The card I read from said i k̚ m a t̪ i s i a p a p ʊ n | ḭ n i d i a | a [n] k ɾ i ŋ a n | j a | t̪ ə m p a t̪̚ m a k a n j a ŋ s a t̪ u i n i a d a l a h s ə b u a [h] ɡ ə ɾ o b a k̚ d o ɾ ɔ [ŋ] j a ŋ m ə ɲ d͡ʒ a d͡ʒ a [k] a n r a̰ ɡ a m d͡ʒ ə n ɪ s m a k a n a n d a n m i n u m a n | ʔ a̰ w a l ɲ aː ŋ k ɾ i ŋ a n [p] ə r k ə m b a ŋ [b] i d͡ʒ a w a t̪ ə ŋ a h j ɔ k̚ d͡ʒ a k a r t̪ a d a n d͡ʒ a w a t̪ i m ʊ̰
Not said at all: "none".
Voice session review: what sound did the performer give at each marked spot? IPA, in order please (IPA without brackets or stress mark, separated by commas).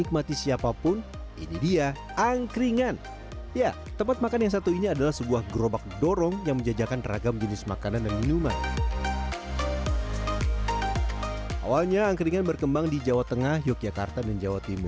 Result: ŋ, h, ŋ, k, b, d